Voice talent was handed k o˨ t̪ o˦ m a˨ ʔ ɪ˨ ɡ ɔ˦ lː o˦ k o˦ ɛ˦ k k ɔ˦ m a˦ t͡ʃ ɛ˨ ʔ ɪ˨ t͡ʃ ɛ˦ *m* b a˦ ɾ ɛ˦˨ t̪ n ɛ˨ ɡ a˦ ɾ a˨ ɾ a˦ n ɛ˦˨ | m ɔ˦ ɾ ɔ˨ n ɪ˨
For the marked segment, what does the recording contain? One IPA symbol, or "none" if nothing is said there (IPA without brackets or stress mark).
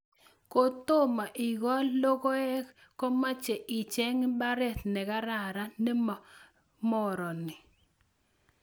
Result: ŋ